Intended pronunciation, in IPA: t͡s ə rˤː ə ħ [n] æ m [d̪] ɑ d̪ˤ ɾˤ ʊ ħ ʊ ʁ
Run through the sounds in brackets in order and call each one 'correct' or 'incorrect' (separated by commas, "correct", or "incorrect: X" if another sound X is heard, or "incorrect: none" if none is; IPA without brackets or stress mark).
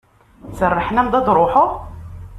correct, correct